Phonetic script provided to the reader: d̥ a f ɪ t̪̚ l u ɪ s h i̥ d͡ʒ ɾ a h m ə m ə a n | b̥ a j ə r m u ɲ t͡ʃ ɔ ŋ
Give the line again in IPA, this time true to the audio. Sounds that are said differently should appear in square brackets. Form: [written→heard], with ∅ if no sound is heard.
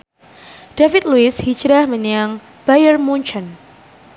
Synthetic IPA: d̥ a f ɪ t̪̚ l u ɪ s h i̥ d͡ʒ ɾ a h m ə [m→ɲ] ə a [n→ŋ] | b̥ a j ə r m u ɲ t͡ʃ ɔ [ŋ→n]